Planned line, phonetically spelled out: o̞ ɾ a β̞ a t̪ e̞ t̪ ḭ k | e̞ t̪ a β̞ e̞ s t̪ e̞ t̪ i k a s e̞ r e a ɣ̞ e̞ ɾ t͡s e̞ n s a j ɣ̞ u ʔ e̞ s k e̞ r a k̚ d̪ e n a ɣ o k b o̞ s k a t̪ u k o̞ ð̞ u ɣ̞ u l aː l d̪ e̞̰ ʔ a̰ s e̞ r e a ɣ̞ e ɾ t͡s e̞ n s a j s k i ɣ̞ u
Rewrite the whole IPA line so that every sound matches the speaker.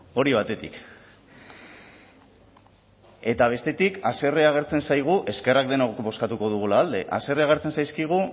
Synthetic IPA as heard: o̞ ɾ i β̞ a t̪ e̞ t̪ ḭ k | e̞ t̪ a β̞ e̞ s t̪ e̞ t̪ i k a s e̞ r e a ɣ̞ e̞ ɾ t͡s e̞ n s a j ɣ̞ u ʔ e̞ s k e̞ r a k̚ d̪ e n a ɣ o k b o̞ s k a t̪ u k o̞ ð̞ u ɣ̞ u l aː l d̪ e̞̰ ʔ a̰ s e̞ r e a ɣ̞ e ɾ t͡s e̞ n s a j s k i ɣ̞ u